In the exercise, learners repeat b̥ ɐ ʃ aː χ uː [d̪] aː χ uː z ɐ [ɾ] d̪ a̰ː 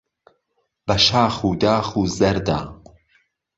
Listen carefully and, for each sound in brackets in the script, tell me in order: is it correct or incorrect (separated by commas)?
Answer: correct, correct